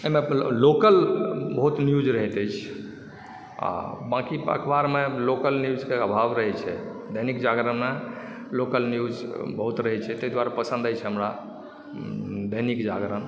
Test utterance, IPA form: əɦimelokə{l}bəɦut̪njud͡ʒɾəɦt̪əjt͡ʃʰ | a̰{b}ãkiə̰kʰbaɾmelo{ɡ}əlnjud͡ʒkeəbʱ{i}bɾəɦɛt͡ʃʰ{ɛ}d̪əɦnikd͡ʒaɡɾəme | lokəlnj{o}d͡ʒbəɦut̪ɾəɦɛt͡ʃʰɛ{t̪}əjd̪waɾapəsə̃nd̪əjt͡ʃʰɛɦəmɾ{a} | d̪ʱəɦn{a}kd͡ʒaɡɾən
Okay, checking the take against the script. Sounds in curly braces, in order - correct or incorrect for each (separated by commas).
correct, correct, incorrect, incorrect, correct, incorrect, correct, correct, incorrect